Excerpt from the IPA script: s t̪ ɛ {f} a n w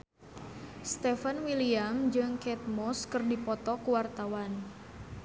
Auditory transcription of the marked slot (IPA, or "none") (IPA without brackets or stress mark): f